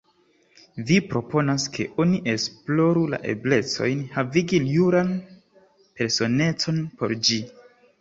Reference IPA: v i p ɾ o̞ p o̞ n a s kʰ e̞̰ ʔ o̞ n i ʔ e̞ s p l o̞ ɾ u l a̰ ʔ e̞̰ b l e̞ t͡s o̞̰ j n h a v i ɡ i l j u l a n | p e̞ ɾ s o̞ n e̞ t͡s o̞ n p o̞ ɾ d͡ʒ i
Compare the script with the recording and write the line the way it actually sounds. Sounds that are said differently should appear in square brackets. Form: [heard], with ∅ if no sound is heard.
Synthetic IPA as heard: v i p ɾ o̞ p o̞ n a s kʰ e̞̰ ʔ o̞ n i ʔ e̞ s p l o̞ ɾ u l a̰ ʔ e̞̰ b l e̞ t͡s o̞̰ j n h a v i ɡ i l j u [ɾ] a n | p e̞ ɾ s o̞ n e̞ t͡s o̞ n p o̞ ɾ d͡ʒ i